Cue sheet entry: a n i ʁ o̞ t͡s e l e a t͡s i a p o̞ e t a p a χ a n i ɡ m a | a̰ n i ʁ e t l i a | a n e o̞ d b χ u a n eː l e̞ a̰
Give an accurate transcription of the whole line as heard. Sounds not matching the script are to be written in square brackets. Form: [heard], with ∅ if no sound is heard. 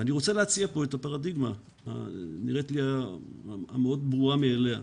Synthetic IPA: a n i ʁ o̞ t͡s e l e a t͡s i a p o̞ e t a p a [ʁ] a [d] i ɡ m a | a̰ n i ʁ e t l i a | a [m] e o̞ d b [ʁ] u a [m] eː l e̞ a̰

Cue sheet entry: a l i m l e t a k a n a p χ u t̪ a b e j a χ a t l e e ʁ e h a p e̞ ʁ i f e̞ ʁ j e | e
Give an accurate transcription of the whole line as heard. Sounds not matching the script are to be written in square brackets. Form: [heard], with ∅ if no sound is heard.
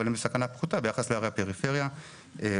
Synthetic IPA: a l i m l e [s] a k a n a p χ u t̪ a b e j a χ a [s] l e [a] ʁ e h a p e̞ ʁ i f e̞ ʁ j [a] | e

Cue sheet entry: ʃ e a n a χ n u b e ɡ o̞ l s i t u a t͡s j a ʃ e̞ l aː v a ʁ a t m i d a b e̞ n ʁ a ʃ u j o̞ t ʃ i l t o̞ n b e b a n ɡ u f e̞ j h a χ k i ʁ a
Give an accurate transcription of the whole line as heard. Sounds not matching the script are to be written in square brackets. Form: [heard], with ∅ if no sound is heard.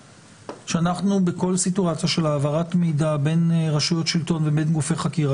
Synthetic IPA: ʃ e a n a χ n u b e [k] o̞ l s i t u a t͡s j a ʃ e̞ l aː v a ʁ a t m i d a b e̞ n ʁ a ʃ u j o̞ t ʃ i l t o̞ n [v] e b [e] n ɡ u f e̞ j [χ] a [∅] k i ʁ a

